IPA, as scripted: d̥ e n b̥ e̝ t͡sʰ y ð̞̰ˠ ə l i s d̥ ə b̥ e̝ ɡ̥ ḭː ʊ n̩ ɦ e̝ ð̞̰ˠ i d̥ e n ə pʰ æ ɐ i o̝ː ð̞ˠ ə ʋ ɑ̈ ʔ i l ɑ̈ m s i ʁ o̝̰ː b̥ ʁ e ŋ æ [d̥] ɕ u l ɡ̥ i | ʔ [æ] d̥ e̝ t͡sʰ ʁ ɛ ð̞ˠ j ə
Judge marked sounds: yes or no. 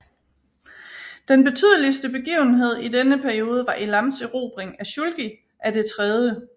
no, yes

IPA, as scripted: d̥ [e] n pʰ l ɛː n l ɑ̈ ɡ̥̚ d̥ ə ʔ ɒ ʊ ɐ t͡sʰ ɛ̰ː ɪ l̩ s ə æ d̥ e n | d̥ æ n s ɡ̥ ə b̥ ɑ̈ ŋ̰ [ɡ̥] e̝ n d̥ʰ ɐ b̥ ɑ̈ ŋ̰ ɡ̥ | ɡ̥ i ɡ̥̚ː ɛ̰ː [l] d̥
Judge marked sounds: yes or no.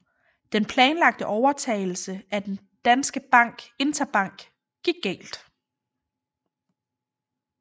yes, yes, yes

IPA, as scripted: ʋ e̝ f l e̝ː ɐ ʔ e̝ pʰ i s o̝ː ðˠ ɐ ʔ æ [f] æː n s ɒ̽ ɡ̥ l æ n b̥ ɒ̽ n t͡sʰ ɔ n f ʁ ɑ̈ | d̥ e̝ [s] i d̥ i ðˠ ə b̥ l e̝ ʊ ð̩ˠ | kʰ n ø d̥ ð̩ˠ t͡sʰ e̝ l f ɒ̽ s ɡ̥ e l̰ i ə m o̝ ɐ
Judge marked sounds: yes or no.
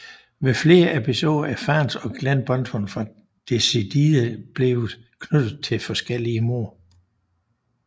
yes, yes

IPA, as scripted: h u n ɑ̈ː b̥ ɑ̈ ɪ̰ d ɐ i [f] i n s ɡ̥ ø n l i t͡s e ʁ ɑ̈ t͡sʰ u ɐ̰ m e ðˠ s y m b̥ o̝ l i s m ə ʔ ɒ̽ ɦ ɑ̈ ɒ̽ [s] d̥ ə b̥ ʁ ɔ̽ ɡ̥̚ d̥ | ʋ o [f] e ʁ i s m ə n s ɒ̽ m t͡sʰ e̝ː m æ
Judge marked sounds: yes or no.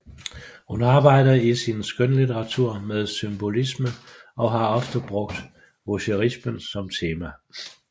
no, no, no

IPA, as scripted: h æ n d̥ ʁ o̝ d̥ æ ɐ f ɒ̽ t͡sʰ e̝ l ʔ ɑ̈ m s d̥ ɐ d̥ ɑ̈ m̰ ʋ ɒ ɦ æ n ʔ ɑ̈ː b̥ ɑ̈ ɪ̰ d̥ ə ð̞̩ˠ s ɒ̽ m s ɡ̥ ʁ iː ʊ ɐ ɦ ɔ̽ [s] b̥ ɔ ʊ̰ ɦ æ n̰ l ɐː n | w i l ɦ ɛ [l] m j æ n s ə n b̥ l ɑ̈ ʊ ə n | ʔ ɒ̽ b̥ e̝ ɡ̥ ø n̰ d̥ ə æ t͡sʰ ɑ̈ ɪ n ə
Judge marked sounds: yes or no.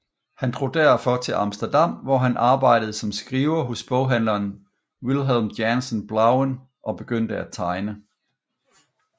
yes, yes

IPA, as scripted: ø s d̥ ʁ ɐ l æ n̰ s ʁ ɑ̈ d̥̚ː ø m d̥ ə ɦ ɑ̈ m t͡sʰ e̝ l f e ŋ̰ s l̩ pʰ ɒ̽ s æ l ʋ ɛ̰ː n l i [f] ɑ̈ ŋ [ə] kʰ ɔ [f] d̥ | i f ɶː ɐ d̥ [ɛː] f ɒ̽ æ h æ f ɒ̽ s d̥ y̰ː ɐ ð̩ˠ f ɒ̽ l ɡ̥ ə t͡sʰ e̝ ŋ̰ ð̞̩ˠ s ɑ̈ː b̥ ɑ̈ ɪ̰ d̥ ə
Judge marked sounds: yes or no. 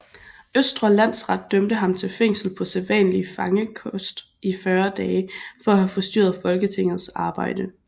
yes, yes, no, yes

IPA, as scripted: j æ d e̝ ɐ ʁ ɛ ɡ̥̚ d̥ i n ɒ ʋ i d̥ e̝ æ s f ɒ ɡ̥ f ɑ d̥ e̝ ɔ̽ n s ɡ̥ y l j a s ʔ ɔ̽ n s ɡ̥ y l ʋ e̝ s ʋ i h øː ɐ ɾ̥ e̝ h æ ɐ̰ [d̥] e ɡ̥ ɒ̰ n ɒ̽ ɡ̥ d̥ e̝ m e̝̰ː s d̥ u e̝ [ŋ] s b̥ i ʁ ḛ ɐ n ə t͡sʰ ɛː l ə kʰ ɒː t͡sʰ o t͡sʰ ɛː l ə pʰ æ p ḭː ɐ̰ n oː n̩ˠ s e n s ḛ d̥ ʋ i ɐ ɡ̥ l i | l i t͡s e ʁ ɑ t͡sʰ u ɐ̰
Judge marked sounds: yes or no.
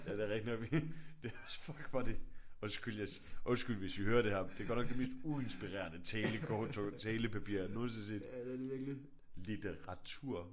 yes, no

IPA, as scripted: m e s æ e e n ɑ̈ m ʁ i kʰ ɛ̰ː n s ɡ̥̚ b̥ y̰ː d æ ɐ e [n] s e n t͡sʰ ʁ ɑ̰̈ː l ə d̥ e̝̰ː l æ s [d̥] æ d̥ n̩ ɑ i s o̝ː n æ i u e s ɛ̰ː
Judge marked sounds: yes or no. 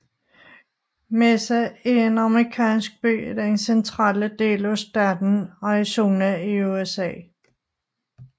yes, yes

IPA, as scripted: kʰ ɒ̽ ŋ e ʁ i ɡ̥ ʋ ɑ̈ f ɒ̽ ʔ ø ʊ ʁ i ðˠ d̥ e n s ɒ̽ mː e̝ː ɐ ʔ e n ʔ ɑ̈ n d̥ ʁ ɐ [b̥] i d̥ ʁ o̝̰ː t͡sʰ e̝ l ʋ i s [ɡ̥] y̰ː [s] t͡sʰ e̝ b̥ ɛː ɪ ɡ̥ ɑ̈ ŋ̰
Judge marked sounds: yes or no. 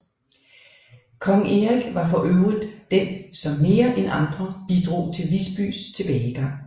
yes, no, yes

